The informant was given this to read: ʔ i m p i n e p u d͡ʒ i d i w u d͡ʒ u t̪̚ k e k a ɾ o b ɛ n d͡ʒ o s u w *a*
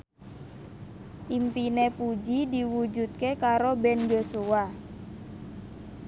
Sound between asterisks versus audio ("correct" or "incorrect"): correct